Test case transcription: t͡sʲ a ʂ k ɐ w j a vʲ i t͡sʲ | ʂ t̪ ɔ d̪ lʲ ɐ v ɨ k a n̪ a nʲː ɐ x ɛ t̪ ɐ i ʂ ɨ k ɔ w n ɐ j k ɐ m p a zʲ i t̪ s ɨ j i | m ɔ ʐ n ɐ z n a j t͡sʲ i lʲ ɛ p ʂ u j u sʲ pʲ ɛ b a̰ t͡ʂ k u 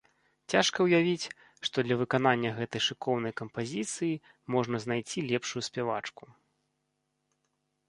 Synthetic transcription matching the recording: t͡sʲ a ʂ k ɐ w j a vʲ i t͡sʲ | ʂ t̪ ɔ d̪ lʲ ɐ v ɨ k a n̪ a nʲː ɐ ɣ ɛ t̪ ɐ j ʂ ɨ k ɔ w n ɐ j k ɐ m p a zʲ i t̪ s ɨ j i | m ɔ ʐ n ɐ z n a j t͡sʲ i lʲ ɛ p ʂ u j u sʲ pʲ ɛ v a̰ t͡ʂ k u

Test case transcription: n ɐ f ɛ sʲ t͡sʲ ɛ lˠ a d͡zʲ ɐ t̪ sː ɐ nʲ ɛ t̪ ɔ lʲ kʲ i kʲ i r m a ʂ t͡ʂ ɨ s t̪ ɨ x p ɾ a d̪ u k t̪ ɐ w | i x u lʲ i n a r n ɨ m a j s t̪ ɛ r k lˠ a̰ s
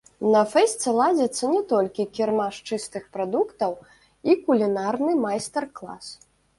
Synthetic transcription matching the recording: n ɐ f ɛ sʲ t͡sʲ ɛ lˠ a d͡zʲ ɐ t̪ sː ɐ nʲ ɛ t̪ ɔ lʲ kʲ i kʲ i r m a ʂ t͡ʂ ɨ s t̪ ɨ x p ɾ a d̪ u k t̪ ɐ w | i k u lʲ i n a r n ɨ m a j s t̪ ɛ r k lˠ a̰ s

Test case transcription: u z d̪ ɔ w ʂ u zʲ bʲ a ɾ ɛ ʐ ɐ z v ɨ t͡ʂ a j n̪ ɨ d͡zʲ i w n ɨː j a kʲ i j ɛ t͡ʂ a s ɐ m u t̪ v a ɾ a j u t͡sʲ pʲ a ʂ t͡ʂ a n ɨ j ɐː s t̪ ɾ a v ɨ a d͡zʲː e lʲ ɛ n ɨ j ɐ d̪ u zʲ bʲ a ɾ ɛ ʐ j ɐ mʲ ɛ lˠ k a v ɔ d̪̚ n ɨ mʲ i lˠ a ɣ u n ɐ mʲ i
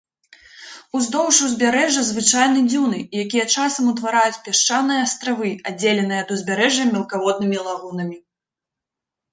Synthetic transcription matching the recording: u z d̪ ɔ w ʂ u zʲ bʲ a ɾ ɛ ʐ ɐ z v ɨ t͡ʂ a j n̪ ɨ d͡zʲ i w n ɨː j a kʲ i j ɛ t͡ʂ a s ɐ m u t̪ v a ɾ a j u t͡sʲ pʲ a ʂ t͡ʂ a n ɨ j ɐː s t̪ ɾ a v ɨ a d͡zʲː e lʲ ɛ n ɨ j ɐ d̪ u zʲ bʲ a ɾ ɛ ʐ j ɐ mʲ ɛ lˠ k a v ɔ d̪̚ n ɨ mʲ i lˠ a ɣ u n ɐ mʲ i

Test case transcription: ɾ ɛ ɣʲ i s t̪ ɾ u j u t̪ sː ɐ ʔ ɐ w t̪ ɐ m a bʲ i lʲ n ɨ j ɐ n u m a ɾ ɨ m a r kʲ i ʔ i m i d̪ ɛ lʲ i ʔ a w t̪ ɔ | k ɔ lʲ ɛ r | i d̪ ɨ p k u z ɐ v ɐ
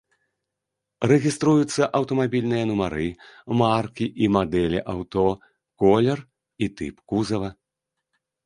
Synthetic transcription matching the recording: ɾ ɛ ɣʲ i s t̪ ɾ u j u t̪ sː ɐ ʔ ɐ w t̪ ɐ m a bʲ i lʲ n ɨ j ɐ n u m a ɾ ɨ m a r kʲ i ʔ i m a d̪ ɛ lʲ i ʔ a w t̪ ɔ | k ɔ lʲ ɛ r | i t̪ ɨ p k u z ɐ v ɐ

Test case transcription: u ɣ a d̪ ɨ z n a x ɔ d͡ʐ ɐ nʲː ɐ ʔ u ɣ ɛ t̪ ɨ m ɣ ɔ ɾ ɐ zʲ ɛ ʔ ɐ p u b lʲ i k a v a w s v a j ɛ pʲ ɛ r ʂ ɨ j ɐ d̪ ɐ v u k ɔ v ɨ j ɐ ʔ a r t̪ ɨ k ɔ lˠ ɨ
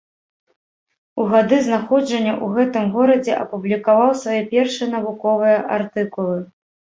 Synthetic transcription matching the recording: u ɣ a d̪ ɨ z n a x ɔ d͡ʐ ɐ nʲː ɐ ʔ u ɣ ɛ t̪ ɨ m ɣ ɔ ɾ ɐ d͡zʲ ɛ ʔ ɐ p u b lʲ i k a v a w s v a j ɛ pʲ ɛ r ʂ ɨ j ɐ n̪ ɐ v u k ɔ v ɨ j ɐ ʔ a r t̪ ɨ k u lˠ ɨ

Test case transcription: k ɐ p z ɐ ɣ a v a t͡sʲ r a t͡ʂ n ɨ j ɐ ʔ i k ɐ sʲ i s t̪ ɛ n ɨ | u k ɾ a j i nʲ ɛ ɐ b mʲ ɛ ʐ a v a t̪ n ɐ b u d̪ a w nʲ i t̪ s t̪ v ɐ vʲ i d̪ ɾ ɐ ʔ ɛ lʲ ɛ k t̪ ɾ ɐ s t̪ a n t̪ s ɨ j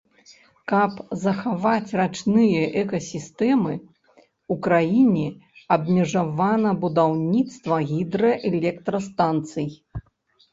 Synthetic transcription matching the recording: k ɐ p z ɐ x a v a t͡sʲ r a t͡ʂ n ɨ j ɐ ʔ ɛ k ɐ sʲ i s t̪ ɛ m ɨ | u k ɾ a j i nʲ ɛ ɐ b mʲ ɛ ʐ a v a n ɐ b u d̪ a w nʲ i t̪ s t̪ v ɐ ɣʲ i d̪ ɾ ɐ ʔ ɛ lʲ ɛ k t̪ ɾ ɐ s t̪ a n t̪ s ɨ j

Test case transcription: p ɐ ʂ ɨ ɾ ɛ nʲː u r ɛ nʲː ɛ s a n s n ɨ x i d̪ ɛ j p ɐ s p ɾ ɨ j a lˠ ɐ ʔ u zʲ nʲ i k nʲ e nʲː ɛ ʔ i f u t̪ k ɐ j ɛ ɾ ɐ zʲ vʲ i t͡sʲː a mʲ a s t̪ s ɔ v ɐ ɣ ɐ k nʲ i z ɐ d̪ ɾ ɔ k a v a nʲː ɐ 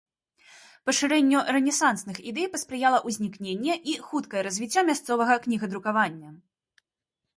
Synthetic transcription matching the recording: p ɐ ʂ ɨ ɾ ɛ nʲː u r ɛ nʲ ɛ s a n s n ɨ x i d̪ ɛ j p ɐ s p ɾ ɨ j a lˠ ɐ ʔ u zʲ nʲ i k nʲ e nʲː ɛ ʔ i x u t̪ k ɐ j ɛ ɾ ɐ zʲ vʲ i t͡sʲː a mʲ a s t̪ s ɔ v ɐ ɣ ɐ k nʲ i ɣ ɐ d̪ ɾ u k a v a nʲː ɐ

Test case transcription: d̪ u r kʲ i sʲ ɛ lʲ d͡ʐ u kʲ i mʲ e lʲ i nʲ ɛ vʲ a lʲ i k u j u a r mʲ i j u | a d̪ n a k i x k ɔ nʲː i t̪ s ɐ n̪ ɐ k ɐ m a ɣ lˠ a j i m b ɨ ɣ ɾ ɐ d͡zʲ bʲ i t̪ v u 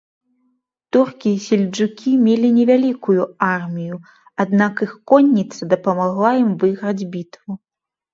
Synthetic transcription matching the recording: t̪ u r kʲ i sʲ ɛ lʲ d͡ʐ u kʲ i mʲ e lʲ i nʲ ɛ vʲ a lʲ i k u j u a r mʲ i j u | a d̪ n a k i x k ɔ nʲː i t̪ s ɐ d̪ ɐ p ɐ m a ɣ lˠ a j i m v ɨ ɣ ɾ ɐ d͡zʲ bʲ i t̪ v u

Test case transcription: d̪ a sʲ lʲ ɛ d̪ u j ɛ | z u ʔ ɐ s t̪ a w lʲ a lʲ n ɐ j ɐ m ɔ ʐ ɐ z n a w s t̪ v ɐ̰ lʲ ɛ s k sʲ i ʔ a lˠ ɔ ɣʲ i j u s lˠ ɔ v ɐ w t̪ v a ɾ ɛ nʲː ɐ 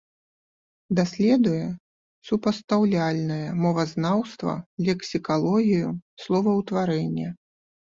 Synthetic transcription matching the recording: d̪ a sʲ lʲ ɛ d̪ u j ɛ | s u p ɐ s t̪ a w lʲ a lʲ n ɐ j ɐ m ɔ v ɐ z n a w s t̪ v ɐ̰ lʲ ɛ k sʲ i k a lˠ ɔ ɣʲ i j u s lˠ ɔ v ɐ w t̪ v a ɾ ɛ nʲː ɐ

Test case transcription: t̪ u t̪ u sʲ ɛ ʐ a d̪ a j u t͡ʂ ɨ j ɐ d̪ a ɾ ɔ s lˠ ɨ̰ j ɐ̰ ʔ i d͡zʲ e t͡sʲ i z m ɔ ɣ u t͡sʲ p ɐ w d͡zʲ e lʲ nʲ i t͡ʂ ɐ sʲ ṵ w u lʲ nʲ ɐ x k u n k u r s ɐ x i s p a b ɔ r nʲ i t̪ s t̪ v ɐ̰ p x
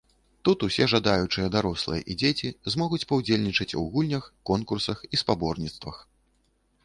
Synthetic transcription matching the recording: t̪ u t̪ u sʲ ɛ ʐ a d̪ a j u t͡ʂ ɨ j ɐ d̪ a ɾ ɔ s lˠ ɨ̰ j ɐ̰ ʔ i d͡zʲ e t͡sʲ i z m ɔ ɣ u t͡sʲ p ɐ w d͡zʲ e lʲ nʲ i t͡ʂ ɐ t͡sʲ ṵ ɣ u lʲ nʲ ɐ x k ɔ n k u r s ɐ x i s p a b ɔ r nʲ i t̪ s t̪ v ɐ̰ x

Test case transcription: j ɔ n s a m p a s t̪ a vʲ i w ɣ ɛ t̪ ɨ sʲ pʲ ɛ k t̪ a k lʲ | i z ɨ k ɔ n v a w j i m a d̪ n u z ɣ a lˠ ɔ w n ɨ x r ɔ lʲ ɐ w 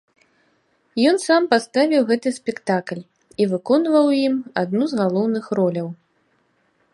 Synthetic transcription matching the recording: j ɔ n s a m p a s t̪ a vʲ i w ɣ ɛ t̪ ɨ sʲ pʲ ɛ k t̪ a k lʲ | i v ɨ k ɔ n v ɐ w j i m a d̪ n u z ɣ a lˠ ɔ w n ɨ x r ɔ lʲ ɐ w

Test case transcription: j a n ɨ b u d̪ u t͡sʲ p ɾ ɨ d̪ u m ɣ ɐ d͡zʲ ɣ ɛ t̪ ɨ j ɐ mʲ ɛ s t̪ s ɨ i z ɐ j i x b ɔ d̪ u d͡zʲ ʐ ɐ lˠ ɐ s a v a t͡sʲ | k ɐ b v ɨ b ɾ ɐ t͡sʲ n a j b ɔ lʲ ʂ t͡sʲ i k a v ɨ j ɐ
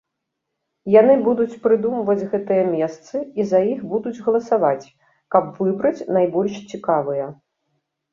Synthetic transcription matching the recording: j a n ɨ b u d̪ u t͡sʲ p ɾ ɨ d̪ u m v ɐ d͡zʲ ɣ ɛ t̪ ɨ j ɐ mʲ ɛ s t̪ s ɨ i z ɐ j i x b u d̪ u d͡zʲ ɣ ɐ lˠ ɐ s a v a t͡sʲ | k ɐ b v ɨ b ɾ ɐ t͡sʲ n a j b ɔ lʲ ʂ t͡sʲ i k a v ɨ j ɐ

